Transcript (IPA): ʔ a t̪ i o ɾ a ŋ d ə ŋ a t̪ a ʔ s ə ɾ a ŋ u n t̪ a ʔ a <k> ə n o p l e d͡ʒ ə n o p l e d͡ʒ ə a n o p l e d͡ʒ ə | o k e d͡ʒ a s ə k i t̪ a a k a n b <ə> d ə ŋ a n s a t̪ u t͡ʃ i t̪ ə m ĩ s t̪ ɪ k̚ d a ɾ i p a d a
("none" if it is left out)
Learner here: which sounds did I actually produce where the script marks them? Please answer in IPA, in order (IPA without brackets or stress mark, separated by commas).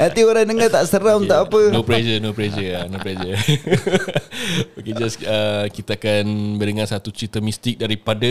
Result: p, ə